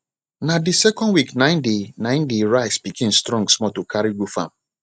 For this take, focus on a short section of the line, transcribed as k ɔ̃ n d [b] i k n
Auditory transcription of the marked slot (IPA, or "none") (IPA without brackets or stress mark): w